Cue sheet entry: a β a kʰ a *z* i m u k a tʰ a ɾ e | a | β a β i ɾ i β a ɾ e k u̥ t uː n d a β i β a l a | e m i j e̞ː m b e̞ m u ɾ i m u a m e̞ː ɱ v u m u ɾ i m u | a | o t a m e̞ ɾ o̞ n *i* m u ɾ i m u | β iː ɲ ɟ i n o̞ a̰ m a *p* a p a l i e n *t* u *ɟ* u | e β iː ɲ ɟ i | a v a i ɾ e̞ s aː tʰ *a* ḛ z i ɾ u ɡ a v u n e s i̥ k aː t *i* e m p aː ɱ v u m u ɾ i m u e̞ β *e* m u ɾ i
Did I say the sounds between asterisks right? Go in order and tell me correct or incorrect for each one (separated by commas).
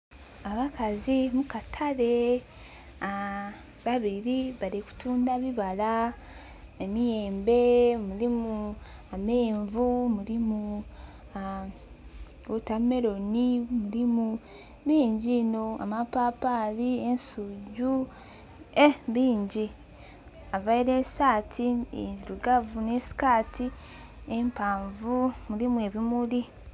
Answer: correct, correct, correct, incorrect, correct, incorrect, correct, incorrect